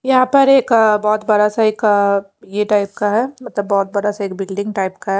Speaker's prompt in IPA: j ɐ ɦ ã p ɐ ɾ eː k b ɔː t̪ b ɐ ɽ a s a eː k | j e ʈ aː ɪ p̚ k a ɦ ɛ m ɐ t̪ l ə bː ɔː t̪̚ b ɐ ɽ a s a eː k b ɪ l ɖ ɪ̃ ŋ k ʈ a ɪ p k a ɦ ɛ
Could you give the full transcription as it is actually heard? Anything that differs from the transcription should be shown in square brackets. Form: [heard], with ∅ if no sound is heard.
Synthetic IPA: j ɐ ɦ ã p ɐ ɾ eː k b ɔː t̪ b ɐ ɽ a s a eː k | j e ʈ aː ɪ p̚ k a ɦ ɛ m ɐ t̪ l ə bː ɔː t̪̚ b ɐ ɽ a s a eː k b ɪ l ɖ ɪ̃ ŋ [ɡ] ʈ a ɪ p k a ɦ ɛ